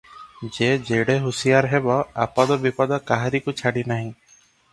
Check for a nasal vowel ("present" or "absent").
present